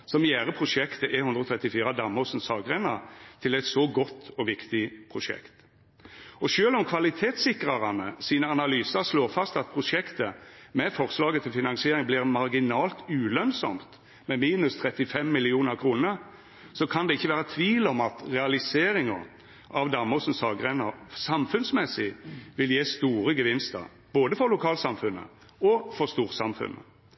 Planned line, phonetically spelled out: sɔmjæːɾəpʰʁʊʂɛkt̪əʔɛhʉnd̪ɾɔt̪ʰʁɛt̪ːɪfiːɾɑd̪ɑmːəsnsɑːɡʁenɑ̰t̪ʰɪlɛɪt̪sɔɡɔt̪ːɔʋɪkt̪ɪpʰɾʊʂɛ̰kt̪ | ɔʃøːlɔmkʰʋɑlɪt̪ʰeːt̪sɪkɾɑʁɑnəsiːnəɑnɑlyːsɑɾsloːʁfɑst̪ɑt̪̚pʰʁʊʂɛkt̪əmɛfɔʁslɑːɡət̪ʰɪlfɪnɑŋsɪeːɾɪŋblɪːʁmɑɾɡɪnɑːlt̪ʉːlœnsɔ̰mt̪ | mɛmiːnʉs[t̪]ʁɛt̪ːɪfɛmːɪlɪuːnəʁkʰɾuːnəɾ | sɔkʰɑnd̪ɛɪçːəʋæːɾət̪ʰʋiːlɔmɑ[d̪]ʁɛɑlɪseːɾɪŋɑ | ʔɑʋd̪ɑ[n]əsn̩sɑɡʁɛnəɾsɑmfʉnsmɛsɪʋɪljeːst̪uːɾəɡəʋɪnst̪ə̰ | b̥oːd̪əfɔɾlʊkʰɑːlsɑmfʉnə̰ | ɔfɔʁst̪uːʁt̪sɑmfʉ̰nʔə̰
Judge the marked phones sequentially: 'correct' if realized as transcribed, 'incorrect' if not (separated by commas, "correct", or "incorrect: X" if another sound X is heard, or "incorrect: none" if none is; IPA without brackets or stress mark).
incorrect: t̪ʰ, incorrect: t̪, incorrect: m